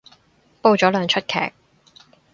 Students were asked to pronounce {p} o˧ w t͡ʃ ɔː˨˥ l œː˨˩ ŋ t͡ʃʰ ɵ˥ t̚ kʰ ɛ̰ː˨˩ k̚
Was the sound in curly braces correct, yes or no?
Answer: yes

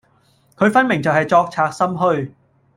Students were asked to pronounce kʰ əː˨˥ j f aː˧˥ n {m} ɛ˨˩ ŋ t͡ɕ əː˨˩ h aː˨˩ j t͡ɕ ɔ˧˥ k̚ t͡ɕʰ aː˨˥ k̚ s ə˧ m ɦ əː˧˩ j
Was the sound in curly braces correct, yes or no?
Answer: yes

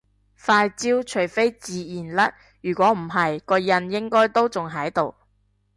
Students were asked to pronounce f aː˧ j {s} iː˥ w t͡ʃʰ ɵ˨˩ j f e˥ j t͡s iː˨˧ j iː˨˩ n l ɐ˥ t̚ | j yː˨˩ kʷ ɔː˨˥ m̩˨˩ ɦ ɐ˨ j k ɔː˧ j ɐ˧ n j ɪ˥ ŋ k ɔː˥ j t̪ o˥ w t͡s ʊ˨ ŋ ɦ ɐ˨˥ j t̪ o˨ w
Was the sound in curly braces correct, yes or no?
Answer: no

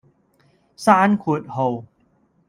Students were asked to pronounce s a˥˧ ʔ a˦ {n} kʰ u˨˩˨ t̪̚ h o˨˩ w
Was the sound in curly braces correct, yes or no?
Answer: yes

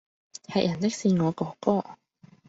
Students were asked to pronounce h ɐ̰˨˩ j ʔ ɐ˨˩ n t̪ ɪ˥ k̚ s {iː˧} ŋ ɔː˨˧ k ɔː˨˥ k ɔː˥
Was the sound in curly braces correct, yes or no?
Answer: yes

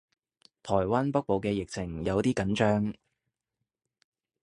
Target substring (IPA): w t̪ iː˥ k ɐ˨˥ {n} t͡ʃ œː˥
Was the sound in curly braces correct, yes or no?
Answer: yes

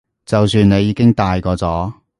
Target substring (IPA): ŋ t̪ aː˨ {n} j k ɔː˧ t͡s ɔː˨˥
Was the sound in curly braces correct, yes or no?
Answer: no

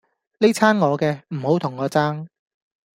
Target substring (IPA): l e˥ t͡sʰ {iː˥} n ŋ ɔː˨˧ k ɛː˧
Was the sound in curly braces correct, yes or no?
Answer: no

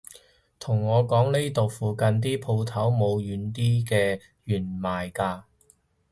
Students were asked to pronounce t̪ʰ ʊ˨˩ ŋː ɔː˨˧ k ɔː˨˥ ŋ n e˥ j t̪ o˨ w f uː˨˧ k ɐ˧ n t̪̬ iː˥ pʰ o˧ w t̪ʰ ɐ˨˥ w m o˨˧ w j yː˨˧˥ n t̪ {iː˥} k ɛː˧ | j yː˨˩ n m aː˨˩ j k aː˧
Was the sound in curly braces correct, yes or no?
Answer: yes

